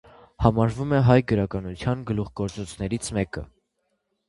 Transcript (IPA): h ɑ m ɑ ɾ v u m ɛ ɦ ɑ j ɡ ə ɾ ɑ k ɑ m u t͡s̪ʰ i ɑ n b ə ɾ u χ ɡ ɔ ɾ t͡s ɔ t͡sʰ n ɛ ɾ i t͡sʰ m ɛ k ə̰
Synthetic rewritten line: h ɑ m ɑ ɾ v u m ɛ ɦ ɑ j ɡ ə ɾ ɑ k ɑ n u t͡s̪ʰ j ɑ n ɡ ə l u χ ɡ ɔ ɾ t͡s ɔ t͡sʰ n ɛ ɾ i t͡sʰ m ɛ k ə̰